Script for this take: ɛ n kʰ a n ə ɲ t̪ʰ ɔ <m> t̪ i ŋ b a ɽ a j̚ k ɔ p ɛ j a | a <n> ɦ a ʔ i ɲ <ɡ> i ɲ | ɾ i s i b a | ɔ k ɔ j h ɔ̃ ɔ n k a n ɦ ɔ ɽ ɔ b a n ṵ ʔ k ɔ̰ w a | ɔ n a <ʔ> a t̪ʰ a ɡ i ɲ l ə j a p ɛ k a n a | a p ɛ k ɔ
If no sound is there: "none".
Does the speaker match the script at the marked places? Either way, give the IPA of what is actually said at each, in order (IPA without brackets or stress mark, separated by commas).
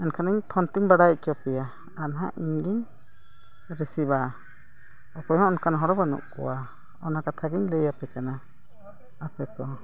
n, n, ɡ, k